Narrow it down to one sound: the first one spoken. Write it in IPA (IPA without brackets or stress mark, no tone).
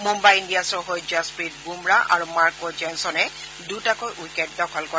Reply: m